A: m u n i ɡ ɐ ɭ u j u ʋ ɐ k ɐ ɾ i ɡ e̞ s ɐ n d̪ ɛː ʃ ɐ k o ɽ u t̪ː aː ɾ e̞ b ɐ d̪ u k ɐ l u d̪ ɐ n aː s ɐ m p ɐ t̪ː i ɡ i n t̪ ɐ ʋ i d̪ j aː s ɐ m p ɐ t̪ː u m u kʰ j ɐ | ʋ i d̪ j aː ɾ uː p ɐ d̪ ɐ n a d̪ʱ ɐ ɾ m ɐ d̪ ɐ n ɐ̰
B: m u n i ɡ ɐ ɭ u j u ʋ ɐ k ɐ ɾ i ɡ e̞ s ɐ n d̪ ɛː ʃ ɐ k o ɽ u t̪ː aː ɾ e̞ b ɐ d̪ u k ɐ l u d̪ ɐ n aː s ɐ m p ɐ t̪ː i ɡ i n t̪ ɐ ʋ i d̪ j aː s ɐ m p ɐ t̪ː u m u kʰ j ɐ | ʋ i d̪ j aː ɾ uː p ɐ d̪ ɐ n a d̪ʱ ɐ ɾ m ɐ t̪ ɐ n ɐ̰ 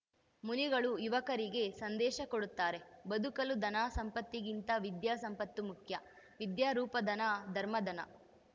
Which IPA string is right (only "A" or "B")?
A